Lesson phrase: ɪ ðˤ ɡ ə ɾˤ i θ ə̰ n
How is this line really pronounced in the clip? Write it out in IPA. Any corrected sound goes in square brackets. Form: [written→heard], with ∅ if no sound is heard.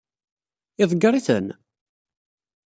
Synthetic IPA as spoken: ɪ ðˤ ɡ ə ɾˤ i θ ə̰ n